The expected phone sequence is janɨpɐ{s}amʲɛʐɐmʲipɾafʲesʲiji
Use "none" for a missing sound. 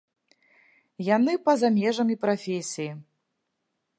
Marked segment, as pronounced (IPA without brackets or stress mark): z